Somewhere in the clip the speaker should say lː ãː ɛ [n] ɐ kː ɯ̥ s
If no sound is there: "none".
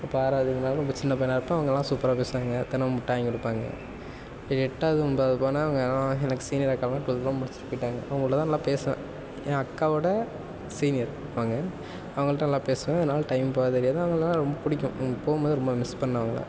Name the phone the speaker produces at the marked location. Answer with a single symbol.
n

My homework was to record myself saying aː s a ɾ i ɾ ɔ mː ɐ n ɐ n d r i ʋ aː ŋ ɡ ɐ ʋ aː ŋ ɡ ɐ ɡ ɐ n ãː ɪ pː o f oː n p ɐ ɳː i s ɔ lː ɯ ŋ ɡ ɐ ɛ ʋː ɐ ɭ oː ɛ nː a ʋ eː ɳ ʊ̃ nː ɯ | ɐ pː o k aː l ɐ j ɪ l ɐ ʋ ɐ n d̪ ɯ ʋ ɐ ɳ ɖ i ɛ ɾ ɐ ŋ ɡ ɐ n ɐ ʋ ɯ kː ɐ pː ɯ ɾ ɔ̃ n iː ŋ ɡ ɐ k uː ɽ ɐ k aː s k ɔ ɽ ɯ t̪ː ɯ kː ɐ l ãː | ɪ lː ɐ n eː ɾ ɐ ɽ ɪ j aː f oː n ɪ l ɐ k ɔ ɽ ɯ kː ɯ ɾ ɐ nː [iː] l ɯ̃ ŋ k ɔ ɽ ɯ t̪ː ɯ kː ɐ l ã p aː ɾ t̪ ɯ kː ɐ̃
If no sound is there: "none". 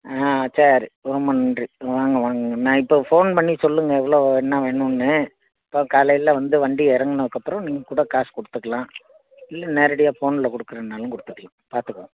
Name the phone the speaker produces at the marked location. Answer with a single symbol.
aː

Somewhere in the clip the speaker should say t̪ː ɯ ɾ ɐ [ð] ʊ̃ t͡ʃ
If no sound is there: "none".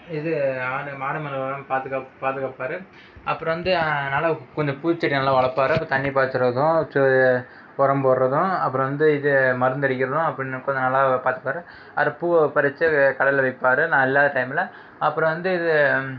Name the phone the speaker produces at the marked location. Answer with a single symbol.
ð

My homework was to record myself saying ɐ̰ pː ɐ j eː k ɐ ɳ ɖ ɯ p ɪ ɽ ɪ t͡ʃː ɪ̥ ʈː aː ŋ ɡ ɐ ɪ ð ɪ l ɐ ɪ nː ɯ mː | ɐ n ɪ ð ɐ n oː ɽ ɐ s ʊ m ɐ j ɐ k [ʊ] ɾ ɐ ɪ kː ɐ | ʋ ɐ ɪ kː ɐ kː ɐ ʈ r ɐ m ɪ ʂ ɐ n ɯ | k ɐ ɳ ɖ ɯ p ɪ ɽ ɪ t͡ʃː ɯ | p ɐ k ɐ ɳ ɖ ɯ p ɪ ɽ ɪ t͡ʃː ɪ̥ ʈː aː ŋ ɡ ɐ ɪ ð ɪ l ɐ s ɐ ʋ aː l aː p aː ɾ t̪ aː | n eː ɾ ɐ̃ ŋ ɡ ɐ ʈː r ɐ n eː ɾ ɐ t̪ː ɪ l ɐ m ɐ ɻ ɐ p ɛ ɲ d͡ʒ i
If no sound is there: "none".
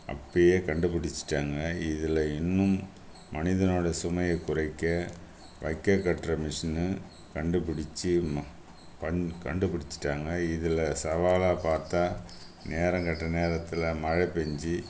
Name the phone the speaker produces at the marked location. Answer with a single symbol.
ʊ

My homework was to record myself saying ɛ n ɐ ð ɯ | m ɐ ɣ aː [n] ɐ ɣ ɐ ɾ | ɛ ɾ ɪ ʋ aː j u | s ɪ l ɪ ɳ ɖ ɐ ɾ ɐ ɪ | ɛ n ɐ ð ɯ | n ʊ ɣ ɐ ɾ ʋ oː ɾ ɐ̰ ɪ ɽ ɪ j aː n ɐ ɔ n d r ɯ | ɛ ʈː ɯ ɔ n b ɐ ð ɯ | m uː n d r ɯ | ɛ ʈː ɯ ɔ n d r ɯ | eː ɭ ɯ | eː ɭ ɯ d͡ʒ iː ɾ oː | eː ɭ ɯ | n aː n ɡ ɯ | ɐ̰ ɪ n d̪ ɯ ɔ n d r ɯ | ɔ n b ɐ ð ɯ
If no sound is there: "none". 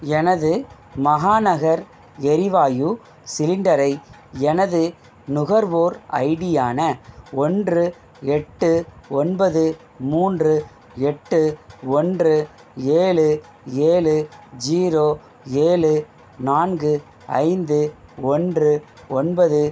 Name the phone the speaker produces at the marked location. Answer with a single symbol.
n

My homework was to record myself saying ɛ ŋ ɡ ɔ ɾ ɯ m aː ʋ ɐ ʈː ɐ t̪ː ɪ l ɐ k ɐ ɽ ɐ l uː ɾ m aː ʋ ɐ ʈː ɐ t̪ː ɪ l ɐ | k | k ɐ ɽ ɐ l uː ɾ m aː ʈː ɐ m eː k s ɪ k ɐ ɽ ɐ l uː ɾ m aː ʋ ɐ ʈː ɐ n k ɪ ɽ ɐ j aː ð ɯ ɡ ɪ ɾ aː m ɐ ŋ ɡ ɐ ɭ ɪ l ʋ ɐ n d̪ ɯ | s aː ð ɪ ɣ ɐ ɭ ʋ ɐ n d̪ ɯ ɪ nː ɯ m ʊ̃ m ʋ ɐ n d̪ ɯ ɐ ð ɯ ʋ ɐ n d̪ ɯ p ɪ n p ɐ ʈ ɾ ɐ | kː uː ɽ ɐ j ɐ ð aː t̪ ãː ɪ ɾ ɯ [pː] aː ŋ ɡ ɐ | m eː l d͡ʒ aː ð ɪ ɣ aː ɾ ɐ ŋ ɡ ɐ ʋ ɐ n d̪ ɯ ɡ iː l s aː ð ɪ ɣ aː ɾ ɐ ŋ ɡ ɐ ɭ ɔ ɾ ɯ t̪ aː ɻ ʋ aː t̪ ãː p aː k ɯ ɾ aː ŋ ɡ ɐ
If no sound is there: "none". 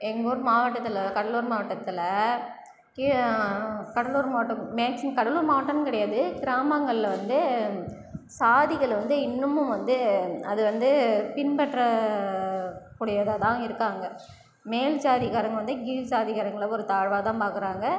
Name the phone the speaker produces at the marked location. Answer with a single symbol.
kː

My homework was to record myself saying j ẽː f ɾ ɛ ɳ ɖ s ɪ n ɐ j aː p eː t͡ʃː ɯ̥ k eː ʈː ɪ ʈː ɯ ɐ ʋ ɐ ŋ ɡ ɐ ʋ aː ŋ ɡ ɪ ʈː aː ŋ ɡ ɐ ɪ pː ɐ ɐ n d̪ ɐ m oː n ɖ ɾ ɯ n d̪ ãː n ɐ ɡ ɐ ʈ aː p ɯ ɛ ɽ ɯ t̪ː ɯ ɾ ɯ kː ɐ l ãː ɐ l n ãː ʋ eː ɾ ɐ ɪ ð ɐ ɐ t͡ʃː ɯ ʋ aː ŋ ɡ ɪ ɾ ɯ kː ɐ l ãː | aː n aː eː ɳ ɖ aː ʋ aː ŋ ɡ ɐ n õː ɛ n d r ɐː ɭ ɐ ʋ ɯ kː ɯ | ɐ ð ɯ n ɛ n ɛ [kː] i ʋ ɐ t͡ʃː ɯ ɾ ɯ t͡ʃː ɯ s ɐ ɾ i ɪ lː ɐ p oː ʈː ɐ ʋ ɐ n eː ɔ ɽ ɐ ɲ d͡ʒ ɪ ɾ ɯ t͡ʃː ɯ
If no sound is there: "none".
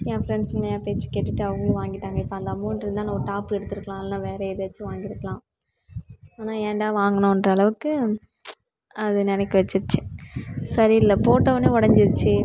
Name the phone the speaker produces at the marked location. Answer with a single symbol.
kː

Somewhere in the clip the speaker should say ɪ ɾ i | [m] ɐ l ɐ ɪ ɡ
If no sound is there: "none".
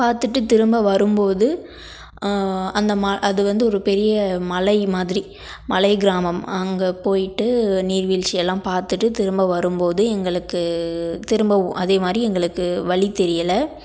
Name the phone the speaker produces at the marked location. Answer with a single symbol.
m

